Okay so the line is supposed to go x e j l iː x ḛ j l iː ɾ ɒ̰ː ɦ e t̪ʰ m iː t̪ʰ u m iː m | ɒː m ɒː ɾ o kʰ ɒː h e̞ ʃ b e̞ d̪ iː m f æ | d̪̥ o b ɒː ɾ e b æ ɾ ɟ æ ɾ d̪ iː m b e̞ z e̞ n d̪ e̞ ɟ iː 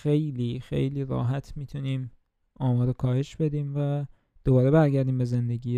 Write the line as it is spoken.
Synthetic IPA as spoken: x e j l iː x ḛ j l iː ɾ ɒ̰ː ɦ æ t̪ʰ m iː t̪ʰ u n iː m | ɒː m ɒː ɾ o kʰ ɒː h e̞ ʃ b e̞ d̪ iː m v æ | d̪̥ o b ɒː ɾ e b æ ɾ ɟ æ ɾ d̪ iː m b e̞ z e̞ n d̪ e̞ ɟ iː